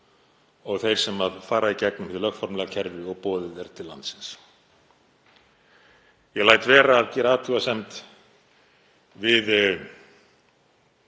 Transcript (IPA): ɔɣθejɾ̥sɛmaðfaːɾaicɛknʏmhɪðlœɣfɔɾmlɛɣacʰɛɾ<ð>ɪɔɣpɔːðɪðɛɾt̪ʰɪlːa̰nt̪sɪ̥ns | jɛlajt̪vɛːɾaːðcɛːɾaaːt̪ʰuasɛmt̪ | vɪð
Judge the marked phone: incorrect: v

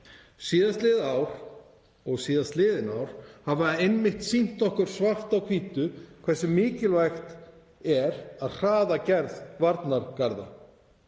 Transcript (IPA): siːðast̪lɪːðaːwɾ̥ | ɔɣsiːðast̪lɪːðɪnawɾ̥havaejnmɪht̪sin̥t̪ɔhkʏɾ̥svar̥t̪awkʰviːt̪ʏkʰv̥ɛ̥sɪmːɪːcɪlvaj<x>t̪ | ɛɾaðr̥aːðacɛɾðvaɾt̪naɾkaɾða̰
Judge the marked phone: correct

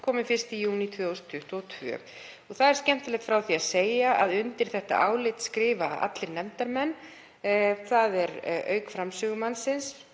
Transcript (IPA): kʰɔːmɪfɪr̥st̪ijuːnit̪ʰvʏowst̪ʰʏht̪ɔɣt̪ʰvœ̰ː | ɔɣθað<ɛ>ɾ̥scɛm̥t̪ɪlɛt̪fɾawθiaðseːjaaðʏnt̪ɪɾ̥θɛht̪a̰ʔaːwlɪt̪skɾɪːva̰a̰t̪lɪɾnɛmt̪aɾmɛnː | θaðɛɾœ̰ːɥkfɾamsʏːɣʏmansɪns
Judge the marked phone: correct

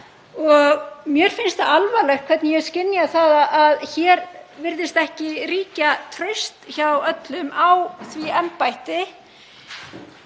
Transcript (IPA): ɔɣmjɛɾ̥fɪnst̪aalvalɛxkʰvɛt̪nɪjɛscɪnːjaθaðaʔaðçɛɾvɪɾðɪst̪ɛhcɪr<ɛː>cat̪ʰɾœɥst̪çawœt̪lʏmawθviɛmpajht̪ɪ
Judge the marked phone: incorrect: iː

